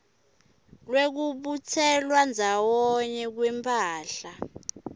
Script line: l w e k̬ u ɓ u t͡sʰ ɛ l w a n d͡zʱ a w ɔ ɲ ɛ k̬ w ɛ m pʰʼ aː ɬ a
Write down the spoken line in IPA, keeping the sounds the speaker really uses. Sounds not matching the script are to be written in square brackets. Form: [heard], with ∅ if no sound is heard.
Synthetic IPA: l w e k̬ u ɓ u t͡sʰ ɛ l w a n d͡zʱ a w ɔ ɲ ɛ k̬ w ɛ m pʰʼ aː ɬ a